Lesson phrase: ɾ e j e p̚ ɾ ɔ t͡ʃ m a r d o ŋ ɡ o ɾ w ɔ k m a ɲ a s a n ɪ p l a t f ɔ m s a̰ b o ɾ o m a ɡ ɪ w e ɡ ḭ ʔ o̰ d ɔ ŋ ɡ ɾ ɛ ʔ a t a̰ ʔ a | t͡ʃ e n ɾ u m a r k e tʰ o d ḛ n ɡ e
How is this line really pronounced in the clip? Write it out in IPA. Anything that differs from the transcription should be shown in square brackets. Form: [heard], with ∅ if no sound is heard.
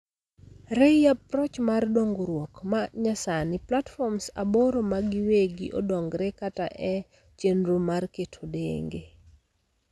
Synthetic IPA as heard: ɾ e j [a] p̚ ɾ ɔ t͡ʃ m a r d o ŋ ɡ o ɾ w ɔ k m a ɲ a s a n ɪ p l a t f ɔ m s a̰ b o ɾ o m a ɡ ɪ w e ɡ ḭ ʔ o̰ d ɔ ŋ ɡ ɾ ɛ [k] a t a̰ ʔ [ɛ] | t͡ʃ e n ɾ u m a r k e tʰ o d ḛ [ŋ] ɡ e